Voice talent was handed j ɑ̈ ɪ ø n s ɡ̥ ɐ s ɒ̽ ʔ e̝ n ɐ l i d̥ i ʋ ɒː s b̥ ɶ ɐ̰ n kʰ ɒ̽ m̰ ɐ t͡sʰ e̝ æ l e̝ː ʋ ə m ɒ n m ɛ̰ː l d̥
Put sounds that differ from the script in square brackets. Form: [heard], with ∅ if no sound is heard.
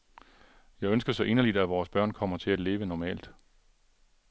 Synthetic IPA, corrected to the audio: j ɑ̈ ɪ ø n s ɡ̥ ɐ s ɒ̽ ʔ e̝ n ɐ l i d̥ [æ] ʋ ɒː s b̥ ɶ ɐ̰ n kʰ ɒ̽ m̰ ɐ t͡sʰ e̝ æ l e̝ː ʋ ə [n] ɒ [∅] m ɛ̰ː l d̥